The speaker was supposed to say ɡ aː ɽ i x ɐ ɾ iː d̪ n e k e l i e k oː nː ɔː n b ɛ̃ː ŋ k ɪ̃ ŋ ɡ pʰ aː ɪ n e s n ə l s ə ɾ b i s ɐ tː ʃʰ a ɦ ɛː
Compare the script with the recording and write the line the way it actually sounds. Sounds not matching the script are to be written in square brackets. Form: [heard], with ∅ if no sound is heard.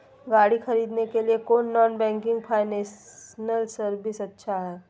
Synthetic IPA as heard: ɡ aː ɽ i x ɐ ɾ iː d̪ n e k e l i e k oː nː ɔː n b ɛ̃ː ŋ k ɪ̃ ŋ ɡ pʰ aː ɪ n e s n ə l s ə ɾ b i s ɐ tː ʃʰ a ɦ ɛː